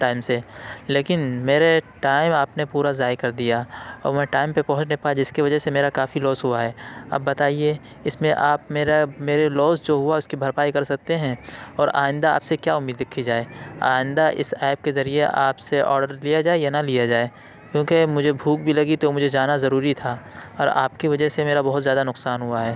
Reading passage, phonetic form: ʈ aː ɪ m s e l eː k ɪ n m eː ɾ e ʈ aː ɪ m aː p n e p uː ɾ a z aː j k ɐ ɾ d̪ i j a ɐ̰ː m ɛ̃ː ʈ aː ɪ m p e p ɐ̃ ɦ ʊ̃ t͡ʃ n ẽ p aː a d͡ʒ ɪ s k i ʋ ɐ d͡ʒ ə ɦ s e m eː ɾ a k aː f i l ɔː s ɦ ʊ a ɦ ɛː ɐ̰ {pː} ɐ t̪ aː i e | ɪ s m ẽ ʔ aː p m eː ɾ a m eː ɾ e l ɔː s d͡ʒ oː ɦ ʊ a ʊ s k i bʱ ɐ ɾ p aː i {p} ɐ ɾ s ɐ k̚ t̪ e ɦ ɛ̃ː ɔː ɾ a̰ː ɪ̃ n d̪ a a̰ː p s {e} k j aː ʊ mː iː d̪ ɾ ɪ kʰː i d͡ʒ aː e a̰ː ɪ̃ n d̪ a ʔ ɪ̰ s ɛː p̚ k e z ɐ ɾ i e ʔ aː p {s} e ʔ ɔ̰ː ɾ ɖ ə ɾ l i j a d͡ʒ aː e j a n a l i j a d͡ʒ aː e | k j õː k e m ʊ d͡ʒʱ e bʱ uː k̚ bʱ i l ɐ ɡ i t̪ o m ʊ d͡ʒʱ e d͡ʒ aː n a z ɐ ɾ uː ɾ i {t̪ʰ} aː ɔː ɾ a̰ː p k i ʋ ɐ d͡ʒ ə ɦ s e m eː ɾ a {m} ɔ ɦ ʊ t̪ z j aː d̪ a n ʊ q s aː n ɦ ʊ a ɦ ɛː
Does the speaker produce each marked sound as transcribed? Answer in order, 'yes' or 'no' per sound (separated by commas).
no, no, yes, yes, yes, no